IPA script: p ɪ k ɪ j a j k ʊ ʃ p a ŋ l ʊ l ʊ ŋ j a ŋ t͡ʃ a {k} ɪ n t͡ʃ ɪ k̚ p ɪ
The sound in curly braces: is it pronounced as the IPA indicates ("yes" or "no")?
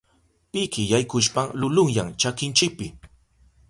yes